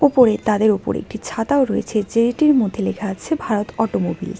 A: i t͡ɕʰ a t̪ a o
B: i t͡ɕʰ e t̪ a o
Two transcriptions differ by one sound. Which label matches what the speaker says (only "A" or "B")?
A